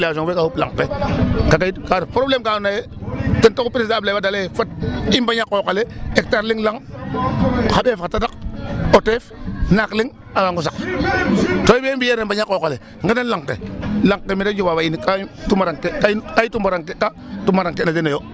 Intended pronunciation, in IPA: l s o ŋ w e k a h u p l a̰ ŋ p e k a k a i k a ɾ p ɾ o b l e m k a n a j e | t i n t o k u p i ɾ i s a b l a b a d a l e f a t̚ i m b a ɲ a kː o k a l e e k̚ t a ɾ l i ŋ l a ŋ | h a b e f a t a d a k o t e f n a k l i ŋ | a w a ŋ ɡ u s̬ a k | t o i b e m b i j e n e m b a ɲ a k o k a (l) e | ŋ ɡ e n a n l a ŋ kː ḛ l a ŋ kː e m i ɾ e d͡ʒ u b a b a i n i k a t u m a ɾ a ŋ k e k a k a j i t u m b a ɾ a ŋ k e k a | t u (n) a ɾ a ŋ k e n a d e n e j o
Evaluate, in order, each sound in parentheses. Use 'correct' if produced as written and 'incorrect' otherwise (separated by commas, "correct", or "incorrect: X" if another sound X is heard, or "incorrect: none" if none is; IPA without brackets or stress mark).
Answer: correct, incorrect: m